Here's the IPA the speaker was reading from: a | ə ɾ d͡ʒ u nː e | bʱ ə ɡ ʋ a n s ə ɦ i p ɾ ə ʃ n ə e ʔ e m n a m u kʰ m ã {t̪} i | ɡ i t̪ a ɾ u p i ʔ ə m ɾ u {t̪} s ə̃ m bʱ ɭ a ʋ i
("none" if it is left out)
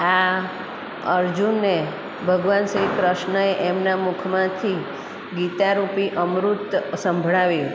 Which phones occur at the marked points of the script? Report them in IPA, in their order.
t̪ʰ, t̪

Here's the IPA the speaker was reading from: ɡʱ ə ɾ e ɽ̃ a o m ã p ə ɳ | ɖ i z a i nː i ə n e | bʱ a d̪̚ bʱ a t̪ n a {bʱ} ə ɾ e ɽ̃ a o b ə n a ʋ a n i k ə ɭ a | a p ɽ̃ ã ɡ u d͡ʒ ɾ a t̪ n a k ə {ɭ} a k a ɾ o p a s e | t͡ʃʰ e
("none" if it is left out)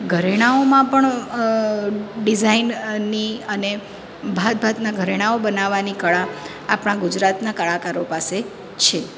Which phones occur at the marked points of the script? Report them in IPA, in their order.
ɡʱ, ɭ

